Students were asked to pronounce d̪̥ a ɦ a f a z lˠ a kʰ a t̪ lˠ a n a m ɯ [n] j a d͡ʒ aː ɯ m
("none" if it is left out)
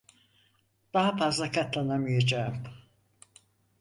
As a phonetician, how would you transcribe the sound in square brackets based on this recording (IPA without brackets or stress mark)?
none